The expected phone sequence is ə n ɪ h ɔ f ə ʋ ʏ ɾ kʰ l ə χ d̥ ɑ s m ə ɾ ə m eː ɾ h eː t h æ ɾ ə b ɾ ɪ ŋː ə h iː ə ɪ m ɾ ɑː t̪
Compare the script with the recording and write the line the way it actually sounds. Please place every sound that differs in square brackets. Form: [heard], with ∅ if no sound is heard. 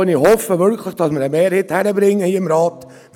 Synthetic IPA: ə n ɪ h ɔ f ə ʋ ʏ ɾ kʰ l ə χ d̥ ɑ s m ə ɾ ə m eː ɾ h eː t h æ ɾ ə b ɾ ɪ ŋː ə h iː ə ɪ m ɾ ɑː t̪